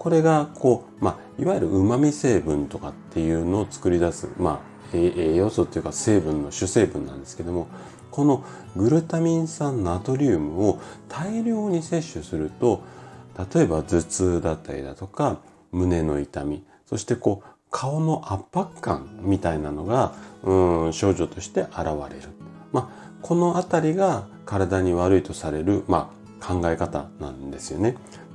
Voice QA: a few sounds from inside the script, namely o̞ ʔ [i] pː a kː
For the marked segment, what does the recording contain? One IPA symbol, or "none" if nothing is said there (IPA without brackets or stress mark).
a